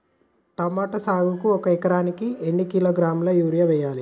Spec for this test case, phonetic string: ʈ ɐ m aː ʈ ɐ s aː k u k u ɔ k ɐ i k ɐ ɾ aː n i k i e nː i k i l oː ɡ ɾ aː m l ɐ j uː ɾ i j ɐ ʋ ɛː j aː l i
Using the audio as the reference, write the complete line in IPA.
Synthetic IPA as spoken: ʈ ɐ m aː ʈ ɐ s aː ɡ u k u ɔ k ɐ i k ɐ ɾ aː n i k i e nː i k i l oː ɡ ɾ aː m l ɐ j uː ɾ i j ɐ ʋ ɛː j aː l i